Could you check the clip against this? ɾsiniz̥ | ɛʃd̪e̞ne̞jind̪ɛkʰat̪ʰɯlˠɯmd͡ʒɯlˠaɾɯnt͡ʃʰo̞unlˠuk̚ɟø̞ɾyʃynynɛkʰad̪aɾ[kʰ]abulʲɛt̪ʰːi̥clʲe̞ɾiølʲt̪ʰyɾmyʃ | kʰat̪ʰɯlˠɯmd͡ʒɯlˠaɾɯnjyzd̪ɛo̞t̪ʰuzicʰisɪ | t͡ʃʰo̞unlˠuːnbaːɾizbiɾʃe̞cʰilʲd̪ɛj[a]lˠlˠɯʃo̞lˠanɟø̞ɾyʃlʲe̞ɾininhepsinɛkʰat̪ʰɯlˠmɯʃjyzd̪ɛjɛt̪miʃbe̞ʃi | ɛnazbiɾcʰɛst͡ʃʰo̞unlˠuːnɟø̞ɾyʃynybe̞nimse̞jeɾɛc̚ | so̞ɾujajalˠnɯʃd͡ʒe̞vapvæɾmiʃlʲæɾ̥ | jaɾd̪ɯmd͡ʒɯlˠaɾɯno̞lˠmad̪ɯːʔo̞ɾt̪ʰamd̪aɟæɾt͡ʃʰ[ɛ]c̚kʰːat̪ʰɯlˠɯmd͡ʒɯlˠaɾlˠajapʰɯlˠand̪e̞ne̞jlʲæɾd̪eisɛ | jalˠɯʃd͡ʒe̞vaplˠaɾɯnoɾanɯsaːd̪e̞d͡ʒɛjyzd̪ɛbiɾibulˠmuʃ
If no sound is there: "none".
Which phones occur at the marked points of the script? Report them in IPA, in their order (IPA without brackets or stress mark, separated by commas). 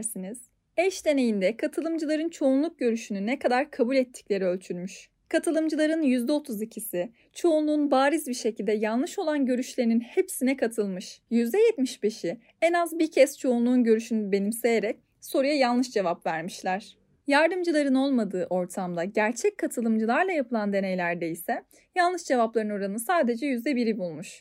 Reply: kʰ, a, ɛ